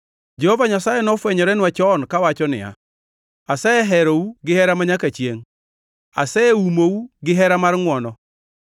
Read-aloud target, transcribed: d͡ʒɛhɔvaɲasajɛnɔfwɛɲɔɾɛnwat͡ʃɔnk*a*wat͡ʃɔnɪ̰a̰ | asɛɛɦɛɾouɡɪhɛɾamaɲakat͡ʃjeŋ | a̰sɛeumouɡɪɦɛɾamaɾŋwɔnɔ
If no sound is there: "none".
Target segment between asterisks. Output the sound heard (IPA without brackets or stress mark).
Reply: a